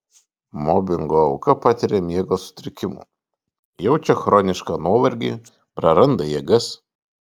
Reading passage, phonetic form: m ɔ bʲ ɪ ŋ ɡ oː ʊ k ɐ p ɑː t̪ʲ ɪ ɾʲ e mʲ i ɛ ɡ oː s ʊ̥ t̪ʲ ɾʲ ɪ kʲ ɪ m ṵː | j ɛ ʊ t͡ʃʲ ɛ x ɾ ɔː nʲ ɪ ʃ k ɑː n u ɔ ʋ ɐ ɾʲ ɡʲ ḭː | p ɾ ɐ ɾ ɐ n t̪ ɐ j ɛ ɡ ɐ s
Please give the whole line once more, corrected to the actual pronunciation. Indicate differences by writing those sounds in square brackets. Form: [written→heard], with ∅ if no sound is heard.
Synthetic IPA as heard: m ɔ bʲ ɪ ŋ ɡ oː ʊ k ɐ p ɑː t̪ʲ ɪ ɾʲ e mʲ i ɛ ɡ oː s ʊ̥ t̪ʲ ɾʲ ɪ kʲ ɪ m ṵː | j ɛ ʊ t͡ʃʲ ɛ x ɾ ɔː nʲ ɪ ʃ k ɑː n u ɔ ʋ ɐ ɾʲ ɡʲ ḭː | p ɾ ɐ ɾ ɐ n [t̪→d̪] ɐ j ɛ ɡ ɐ s